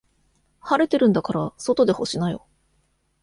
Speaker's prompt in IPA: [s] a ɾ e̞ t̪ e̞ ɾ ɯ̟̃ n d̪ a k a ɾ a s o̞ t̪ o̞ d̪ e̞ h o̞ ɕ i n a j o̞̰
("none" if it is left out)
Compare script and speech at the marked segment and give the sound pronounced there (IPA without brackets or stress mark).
h